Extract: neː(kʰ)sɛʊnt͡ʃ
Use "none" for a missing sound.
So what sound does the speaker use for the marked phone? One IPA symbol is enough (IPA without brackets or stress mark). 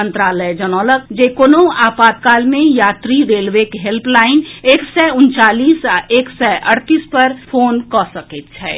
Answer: k